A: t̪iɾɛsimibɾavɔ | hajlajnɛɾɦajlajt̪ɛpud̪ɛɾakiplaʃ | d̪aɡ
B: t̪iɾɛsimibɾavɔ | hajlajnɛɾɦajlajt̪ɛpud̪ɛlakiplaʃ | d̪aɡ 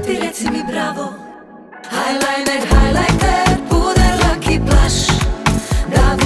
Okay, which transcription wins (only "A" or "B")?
B